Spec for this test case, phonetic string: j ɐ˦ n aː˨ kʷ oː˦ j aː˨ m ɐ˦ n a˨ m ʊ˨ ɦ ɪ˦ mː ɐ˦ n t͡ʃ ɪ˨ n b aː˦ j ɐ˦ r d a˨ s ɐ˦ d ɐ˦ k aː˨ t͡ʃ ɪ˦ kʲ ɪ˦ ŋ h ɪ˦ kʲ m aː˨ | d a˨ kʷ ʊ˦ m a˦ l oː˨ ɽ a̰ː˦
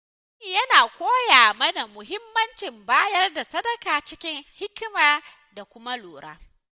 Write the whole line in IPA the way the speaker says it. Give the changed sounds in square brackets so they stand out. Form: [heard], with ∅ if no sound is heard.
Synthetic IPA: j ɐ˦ n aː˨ kʷ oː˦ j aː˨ m ɐ˦ n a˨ m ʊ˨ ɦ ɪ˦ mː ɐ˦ n t͡ʃ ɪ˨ [m] b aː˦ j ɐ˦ r d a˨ s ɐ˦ d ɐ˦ k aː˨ t͡ʃ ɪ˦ kʲ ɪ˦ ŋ h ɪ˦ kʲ m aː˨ | d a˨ kʷ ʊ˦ m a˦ l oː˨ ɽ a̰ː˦

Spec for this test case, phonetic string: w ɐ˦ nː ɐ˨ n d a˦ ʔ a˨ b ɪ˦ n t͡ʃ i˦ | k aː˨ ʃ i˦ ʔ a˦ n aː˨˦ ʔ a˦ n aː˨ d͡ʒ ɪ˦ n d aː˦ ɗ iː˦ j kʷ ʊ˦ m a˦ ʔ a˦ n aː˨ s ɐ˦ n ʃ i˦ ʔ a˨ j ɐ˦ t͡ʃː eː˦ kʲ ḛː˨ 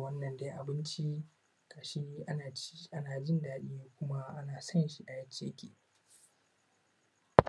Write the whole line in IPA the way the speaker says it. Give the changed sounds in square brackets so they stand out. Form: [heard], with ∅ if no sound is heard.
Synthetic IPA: w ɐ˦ nː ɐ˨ n d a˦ ʔ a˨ b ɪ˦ n t͡ʃ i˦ | k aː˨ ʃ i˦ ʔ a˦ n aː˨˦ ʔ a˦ n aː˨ d͡ʒ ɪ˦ n d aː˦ ɗ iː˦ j kʷ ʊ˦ m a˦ ʔ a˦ n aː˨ s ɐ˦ n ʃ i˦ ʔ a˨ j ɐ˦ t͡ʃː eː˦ kʲ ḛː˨

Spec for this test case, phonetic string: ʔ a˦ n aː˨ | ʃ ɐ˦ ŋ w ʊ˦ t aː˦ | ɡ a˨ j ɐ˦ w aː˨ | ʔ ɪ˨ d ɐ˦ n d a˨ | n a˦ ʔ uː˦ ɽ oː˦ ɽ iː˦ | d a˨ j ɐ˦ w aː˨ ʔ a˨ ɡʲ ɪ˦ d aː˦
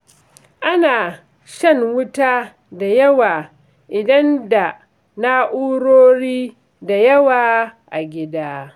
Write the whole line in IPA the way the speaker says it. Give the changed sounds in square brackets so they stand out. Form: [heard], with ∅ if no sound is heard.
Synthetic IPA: ʔ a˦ n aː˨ | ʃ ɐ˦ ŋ w ʊ˦ t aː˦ | [d] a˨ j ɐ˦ w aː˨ | ʔ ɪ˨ d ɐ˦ n d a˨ | n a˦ ʔ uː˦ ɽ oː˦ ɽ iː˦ | d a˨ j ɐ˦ w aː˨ ʔ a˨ ɡʲ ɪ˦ d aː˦

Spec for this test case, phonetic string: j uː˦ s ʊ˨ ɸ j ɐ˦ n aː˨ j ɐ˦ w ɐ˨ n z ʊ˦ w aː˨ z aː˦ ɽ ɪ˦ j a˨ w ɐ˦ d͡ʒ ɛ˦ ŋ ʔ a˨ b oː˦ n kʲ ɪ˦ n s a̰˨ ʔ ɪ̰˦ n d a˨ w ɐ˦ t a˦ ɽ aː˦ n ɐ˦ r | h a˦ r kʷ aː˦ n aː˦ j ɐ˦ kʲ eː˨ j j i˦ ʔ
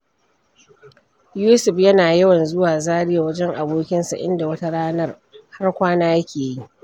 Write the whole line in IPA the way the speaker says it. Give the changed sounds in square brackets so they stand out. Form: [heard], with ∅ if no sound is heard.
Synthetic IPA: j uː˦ s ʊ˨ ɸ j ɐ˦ n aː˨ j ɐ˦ w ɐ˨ n z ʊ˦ w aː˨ z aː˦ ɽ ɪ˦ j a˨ w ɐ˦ d͡ʒ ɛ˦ ŋ ʔ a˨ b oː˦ [∅] kʲ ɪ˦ n s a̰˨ ʔ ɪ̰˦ n d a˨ w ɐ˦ t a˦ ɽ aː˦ n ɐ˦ r | h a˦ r kʷ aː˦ n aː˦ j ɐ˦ kʲ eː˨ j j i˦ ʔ

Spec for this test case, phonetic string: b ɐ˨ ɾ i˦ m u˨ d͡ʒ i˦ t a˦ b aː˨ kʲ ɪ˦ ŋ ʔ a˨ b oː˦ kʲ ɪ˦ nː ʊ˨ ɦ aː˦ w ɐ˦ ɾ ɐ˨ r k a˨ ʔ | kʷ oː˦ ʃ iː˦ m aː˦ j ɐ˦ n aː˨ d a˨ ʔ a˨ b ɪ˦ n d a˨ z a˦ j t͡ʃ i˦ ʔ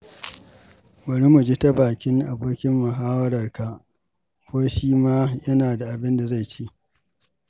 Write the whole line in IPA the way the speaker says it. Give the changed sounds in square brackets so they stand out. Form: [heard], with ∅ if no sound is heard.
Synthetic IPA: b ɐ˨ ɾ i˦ m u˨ d͡ʒ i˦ t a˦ b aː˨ kʲ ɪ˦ ŋ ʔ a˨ b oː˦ kʲ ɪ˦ [mː] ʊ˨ ɦ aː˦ w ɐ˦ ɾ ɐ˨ r k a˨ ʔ | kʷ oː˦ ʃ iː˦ m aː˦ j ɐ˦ n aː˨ d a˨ ʔ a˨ b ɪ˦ n d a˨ z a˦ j t͡ʃ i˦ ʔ

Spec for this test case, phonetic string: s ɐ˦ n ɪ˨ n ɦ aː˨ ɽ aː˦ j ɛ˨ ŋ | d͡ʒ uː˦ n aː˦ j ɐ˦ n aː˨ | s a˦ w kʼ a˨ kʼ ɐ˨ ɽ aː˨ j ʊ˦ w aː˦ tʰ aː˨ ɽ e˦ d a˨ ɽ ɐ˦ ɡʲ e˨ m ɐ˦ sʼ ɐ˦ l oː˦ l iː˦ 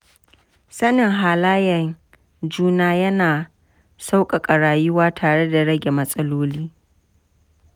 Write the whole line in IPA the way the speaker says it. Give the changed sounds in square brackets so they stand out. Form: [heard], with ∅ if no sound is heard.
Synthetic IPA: s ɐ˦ n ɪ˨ [ŋ] ɦ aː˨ [l] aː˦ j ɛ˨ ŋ | d͡ʒ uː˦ n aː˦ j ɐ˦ n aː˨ | s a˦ w kʼ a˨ kʼ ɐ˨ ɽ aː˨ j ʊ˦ w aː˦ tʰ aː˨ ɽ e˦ d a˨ ɽ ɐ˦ ɡʲ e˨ m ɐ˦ sʼ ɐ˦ l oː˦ l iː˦

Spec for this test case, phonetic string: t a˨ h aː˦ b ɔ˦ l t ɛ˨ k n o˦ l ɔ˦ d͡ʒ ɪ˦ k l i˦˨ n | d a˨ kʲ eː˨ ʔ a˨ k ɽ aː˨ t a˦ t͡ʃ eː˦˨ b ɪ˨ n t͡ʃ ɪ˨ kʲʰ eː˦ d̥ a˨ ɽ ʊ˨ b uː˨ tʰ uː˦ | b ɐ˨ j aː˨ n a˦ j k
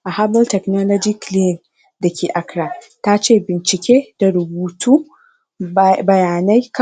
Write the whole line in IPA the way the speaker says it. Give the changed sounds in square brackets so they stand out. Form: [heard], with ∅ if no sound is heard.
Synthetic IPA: [ʔ] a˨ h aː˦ b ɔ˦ l t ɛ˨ k n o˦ l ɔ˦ d͡ʒ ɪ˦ k l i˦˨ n | d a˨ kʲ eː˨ ʔ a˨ k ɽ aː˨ t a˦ t͡ʃ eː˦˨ b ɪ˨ n t͡ʃ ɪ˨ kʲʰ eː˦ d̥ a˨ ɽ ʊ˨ b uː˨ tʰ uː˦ | b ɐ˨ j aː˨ n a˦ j k

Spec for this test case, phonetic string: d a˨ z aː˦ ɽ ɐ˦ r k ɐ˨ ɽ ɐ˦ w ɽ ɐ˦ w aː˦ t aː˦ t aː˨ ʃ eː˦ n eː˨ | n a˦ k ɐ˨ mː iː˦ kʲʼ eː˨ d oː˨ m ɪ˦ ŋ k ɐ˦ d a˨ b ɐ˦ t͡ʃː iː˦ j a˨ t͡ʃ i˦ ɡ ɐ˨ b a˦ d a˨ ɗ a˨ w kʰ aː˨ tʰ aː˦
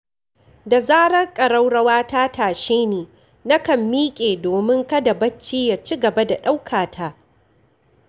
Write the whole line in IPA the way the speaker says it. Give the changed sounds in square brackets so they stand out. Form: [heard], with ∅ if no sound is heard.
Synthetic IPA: d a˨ z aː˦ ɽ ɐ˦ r [kʼ] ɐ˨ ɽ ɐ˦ w ɽ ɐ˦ w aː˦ t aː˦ t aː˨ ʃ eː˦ n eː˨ | n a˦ k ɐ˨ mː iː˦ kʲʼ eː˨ d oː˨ m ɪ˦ ŋ k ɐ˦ d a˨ b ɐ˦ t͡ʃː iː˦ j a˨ t͡ʃ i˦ ɡ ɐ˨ b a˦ d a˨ ɗ [a˦] w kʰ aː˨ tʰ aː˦

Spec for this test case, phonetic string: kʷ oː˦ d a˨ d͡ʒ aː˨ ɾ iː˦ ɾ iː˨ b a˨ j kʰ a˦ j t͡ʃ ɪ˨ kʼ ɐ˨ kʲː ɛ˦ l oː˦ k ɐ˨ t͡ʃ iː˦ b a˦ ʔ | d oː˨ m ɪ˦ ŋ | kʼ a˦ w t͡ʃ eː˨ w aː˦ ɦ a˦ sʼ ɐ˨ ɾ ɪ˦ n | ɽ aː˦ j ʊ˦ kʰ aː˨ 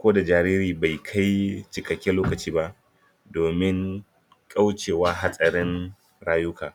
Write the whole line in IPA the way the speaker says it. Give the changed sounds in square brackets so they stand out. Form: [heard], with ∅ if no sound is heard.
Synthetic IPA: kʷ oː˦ d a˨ d͡ʒ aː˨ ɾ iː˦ ɾ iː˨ b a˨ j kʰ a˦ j t͡ʃ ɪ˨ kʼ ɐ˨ kʲː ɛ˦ l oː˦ k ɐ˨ t͡ʃ iː˦ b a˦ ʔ | d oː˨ m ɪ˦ ŋ | kʼ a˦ w t͡ʃ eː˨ w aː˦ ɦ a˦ sʼ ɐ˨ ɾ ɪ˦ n | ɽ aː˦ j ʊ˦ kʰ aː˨

